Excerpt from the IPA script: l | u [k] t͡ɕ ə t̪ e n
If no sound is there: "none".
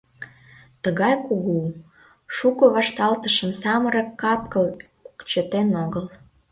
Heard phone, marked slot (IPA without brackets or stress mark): k